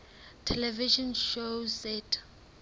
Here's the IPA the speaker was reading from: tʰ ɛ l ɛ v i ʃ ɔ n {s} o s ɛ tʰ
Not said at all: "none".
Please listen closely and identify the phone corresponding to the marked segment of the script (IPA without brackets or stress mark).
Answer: ʃ